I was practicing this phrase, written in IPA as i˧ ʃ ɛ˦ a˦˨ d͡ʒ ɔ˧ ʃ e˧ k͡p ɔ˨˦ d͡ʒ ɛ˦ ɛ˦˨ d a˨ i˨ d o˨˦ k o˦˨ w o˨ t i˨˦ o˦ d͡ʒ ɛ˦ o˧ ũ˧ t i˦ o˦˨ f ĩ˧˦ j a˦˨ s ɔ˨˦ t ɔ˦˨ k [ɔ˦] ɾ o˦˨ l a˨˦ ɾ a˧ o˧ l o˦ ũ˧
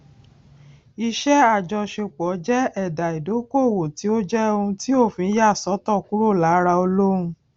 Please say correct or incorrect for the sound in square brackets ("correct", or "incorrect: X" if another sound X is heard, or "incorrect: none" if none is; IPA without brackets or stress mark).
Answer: incorrect: u˦